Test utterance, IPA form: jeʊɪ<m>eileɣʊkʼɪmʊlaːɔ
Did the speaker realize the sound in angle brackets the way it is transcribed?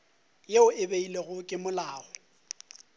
no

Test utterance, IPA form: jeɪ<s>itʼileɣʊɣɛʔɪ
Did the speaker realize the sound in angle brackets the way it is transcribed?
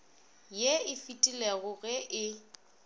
no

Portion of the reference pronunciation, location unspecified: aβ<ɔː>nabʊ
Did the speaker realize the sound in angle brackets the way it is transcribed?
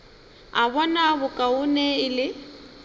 no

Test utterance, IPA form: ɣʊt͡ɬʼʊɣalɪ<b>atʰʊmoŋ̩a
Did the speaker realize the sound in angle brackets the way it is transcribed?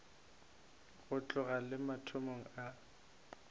no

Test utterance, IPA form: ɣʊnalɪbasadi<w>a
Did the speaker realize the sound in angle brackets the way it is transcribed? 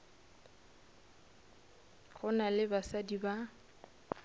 no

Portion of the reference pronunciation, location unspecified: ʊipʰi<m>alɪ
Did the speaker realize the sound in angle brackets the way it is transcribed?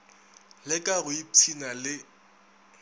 no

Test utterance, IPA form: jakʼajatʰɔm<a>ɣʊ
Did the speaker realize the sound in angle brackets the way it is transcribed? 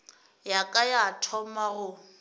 yes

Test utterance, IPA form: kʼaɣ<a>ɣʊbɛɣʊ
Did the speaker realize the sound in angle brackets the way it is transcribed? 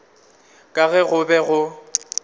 no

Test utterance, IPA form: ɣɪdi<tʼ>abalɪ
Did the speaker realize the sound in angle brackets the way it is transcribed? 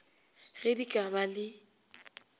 no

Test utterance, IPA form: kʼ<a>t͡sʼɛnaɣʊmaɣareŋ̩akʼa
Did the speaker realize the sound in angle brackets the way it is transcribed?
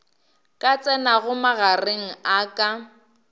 yes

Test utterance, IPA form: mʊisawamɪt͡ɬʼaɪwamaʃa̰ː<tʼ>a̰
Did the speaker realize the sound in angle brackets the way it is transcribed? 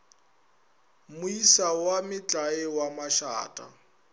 yes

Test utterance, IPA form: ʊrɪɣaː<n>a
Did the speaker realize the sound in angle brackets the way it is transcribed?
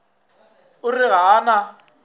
yes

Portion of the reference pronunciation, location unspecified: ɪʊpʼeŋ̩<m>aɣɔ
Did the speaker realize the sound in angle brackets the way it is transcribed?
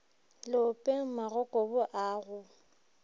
yes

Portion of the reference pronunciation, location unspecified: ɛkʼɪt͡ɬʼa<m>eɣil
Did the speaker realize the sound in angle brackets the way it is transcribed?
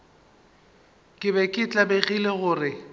no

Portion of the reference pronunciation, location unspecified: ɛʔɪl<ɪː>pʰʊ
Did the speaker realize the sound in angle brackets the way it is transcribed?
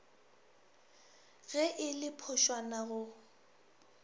no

